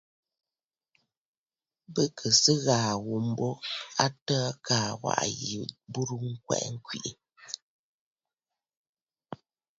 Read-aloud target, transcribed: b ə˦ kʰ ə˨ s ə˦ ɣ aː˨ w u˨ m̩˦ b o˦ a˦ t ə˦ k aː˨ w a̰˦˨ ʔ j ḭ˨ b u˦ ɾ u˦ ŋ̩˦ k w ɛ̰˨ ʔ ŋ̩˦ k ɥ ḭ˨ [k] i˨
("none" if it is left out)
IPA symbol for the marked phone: ʔ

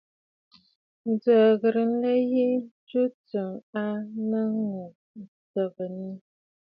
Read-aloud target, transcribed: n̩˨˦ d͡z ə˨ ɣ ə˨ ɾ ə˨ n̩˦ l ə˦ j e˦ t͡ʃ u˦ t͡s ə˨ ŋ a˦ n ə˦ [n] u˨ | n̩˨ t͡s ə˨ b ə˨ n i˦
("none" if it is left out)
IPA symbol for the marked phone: ŋ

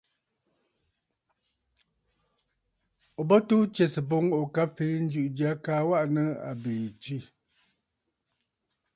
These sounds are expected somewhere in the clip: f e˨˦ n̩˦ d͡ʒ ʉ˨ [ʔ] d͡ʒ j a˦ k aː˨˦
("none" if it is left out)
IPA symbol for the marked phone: ʔ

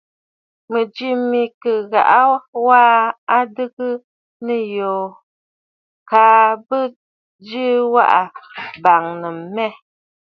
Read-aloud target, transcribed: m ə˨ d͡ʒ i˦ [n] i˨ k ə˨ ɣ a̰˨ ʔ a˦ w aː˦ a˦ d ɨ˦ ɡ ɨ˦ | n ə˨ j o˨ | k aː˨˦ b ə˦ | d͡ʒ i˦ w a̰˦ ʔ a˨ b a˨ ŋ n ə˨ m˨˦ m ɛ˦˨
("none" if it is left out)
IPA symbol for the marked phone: m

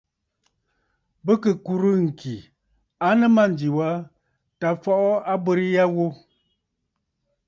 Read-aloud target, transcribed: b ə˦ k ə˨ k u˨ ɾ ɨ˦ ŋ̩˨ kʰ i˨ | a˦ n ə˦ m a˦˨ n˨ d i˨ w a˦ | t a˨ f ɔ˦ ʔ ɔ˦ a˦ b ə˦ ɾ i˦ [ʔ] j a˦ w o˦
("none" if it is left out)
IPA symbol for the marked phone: none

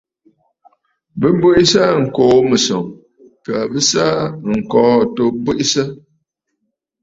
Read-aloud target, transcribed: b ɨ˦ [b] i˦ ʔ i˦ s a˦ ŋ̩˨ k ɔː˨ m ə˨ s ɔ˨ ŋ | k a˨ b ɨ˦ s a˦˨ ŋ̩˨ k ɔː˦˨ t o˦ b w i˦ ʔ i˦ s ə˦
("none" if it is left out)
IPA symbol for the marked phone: b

